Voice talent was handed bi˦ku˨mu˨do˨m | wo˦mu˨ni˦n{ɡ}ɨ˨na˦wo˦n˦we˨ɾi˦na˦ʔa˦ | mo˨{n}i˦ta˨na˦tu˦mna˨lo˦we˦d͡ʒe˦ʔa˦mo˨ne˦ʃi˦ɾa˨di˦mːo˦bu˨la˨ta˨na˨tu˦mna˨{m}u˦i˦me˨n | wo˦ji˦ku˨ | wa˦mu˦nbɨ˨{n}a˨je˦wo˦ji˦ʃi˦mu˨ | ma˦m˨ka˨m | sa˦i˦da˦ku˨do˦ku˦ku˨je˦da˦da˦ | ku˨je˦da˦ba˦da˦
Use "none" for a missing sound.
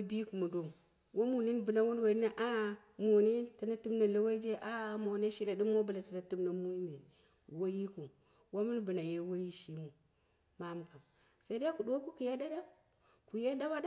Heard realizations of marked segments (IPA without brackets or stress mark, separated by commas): b, n, m, n